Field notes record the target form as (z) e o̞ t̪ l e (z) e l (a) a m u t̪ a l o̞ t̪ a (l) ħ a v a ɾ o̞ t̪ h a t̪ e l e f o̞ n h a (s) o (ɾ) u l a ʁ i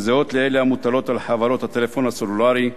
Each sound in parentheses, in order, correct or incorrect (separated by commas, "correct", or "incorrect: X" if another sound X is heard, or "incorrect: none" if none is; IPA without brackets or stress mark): correct, incorrect: none, incorrect: e, correct, correct, incorrect: l